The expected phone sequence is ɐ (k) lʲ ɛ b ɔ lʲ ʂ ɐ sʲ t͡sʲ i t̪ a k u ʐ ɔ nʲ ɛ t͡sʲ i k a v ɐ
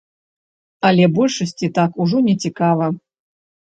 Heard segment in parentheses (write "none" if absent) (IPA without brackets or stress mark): none